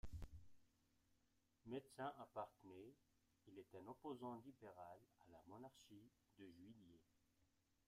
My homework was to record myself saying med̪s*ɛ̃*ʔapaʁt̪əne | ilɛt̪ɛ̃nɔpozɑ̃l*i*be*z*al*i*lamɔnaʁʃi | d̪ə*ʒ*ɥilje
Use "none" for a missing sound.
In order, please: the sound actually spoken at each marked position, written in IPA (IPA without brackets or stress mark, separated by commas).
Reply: ɛ̃, i, ʁ, a, ʒ